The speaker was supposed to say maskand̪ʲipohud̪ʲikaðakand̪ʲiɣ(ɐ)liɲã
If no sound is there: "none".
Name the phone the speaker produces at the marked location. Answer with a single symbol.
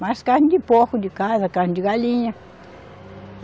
a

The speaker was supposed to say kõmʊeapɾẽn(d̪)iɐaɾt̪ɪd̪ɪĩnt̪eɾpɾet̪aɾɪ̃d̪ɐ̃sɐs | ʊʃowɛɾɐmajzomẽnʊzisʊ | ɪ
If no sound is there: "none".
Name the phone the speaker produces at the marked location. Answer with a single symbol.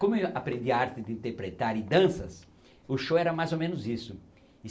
d̪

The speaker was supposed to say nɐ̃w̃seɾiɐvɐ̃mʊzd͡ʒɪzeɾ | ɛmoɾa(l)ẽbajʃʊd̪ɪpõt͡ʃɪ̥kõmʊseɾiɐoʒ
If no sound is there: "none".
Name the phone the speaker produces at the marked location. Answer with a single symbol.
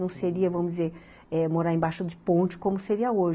ɾ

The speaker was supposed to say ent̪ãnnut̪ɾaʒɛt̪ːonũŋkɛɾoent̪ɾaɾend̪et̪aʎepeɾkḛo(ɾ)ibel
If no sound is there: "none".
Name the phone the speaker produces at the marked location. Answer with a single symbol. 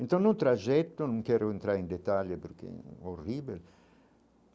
r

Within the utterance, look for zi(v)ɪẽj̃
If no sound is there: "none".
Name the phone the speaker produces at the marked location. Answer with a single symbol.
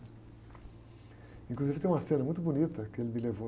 v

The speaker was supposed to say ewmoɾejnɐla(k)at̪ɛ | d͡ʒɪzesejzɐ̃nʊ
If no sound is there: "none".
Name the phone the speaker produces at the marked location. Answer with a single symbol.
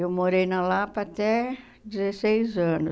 p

